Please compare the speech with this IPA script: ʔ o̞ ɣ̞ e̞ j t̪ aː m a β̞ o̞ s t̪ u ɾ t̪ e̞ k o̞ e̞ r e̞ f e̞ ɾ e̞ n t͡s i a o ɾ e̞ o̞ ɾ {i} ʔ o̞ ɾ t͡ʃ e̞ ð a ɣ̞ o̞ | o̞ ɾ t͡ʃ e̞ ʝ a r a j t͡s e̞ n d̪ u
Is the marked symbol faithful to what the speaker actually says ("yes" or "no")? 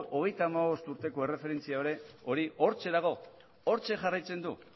yes